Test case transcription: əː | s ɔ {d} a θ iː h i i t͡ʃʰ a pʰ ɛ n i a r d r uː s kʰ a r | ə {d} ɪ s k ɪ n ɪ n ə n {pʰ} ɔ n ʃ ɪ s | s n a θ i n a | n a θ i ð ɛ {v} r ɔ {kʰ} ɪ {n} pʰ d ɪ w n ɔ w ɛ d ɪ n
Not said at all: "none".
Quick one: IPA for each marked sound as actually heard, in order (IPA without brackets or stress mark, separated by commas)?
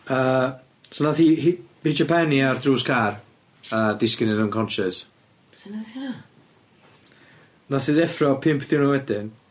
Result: n, d, kʰ, f, pʰ, m